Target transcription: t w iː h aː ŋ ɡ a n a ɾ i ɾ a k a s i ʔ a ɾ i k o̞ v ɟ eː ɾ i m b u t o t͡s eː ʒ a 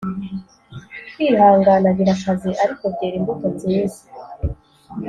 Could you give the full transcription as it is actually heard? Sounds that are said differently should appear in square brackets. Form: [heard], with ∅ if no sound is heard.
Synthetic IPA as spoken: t w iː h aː ŋ ɡ a n a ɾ i ɾ a k a [z] i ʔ a ɾ i k o̞ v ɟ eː ɾ i m b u t o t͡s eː [z] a